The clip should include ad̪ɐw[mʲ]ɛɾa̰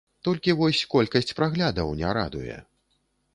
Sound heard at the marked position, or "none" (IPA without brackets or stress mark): nʲ